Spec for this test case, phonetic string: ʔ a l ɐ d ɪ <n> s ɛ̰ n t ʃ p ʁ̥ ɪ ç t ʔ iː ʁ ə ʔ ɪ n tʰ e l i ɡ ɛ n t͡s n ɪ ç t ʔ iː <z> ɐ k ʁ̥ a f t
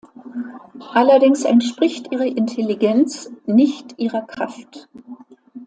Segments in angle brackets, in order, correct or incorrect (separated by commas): incorrect, incorrect